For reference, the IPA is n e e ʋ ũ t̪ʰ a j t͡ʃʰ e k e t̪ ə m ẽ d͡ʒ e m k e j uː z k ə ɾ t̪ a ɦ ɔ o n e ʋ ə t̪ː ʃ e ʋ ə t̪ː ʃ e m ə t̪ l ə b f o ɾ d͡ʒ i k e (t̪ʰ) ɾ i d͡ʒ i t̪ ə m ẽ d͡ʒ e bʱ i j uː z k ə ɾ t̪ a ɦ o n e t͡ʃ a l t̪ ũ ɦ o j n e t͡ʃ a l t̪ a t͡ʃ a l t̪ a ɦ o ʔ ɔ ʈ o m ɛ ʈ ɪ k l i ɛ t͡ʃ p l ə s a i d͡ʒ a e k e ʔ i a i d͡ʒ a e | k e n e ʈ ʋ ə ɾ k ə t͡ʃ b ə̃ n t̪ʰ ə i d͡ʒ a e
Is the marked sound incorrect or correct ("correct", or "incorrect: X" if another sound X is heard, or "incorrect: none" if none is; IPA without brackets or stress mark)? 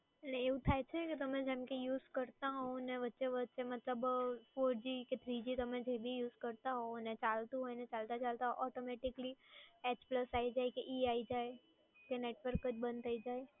correct